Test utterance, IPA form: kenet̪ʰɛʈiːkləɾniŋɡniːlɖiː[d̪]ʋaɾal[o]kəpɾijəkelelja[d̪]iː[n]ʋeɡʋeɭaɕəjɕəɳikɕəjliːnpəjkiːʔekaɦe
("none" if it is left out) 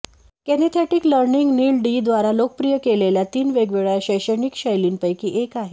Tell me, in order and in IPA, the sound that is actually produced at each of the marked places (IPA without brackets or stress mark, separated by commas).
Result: d̪, o, t̪, n